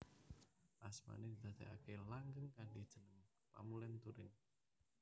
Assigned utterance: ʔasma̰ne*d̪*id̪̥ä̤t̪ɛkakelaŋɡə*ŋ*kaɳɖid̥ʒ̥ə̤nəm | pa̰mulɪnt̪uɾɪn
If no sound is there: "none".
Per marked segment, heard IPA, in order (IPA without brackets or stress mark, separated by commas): d̪, ŋ